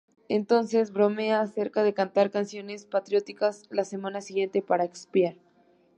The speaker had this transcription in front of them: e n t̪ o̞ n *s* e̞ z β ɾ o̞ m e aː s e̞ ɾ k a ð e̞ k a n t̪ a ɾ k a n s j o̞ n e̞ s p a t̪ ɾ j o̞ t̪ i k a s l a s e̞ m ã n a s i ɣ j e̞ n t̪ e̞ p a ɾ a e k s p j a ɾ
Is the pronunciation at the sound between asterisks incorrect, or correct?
correct